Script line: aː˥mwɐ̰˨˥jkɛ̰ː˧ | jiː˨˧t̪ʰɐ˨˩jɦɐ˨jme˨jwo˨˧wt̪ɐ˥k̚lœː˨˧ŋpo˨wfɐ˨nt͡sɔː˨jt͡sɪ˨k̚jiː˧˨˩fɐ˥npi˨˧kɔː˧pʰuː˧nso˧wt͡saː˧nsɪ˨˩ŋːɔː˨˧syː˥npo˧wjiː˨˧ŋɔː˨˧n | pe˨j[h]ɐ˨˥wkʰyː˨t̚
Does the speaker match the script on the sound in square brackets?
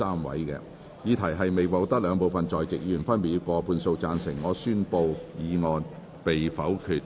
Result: no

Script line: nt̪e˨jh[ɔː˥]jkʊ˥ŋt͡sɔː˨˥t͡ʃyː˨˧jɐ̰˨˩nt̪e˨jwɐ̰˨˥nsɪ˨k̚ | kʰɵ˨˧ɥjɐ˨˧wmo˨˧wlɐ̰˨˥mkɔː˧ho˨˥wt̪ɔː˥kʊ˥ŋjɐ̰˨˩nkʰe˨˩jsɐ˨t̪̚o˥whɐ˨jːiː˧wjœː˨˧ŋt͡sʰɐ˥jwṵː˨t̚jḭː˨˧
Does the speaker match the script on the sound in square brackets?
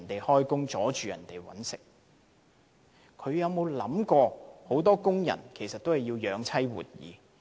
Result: yes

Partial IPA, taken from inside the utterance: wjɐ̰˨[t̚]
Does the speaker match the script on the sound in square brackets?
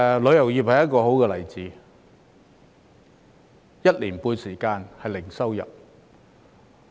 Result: no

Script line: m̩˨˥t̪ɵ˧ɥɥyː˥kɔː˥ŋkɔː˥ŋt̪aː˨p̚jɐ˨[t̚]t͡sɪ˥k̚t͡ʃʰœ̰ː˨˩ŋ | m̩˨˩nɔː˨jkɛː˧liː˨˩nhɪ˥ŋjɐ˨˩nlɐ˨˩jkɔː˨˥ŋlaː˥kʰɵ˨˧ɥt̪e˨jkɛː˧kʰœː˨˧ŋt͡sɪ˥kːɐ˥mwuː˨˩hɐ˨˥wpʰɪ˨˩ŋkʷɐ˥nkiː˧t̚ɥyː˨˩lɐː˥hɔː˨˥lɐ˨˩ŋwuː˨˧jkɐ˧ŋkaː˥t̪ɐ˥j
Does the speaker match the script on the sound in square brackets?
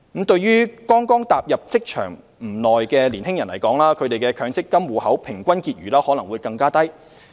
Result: no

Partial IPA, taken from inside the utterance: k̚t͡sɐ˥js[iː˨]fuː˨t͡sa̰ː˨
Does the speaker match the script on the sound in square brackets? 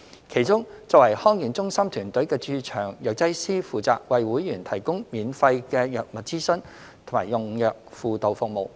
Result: no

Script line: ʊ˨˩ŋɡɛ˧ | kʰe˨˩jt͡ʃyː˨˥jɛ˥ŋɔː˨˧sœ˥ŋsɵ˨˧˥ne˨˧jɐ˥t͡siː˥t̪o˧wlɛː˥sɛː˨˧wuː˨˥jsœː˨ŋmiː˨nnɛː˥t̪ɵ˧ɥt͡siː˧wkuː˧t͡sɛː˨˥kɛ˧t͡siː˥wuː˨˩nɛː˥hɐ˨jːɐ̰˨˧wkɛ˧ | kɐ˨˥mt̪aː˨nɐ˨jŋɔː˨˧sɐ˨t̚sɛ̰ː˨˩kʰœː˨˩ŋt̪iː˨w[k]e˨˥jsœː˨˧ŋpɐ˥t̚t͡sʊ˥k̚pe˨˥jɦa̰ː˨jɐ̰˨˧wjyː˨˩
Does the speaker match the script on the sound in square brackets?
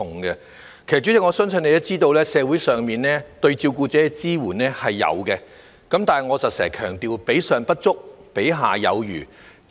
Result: no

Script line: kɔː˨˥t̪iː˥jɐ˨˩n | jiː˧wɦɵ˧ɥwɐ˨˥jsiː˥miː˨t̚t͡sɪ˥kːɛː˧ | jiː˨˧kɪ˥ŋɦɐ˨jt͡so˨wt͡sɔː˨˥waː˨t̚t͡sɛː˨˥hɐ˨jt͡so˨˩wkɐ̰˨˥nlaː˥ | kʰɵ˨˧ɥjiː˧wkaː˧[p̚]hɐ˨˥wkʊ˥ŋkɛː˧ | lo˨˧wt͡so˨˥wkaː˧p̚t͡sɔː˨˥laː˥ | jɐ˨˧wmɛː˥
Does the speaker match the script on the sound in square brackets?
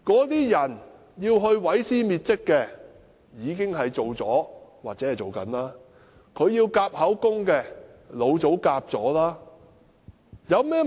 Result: yes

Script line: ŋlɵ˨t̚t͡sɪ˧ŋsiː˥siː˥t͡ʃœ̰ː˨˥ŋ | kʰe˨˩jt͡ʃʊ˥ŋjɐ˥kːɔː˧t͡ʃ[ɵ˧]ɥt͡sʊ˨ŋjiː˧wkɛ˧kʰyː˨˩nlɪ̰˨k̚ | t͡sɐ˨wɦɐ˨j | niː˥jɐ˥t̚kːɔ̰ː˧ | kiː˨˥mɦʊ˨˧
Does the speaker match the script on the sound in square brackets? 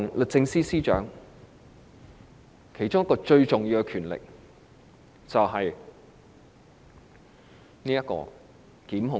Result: yes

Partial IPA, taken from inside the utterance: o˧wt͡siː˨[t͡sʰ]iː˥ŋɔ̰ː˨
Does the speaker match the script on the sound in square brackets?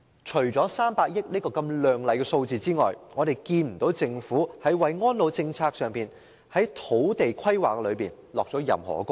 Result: no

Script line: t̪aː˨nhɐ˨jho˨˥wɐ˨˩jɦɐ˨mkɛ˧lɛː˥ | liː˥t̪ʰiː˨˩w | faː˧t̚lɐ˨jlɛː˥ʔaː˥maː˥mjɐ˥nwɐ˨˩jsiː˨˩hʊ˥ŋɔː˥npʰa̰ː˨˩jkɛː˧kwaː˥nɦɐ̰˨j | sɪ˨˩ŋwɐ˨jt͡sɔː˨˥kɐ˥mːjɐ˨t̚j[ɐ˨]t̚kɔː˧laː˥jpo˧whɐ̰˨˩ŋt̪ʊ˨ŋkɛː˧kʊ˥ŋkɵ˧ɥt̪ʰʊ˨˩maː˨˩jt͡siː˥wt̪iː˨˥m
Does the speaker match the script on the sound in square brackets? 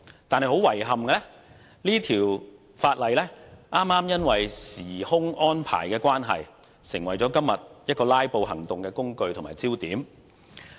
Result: no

